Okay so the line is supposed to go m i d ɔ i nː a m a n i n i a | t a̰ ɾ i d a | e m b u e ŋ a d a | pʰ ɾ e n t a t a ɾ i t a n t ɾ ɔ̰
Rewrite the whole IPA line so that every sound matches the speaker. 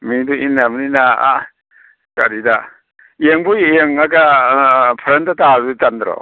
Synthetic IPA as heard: m i d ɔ i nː a m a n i n a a | k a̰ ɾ i d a | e ŋ b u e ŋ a ɡ a | pʰ ɾ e n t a t a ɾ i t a n d ɾ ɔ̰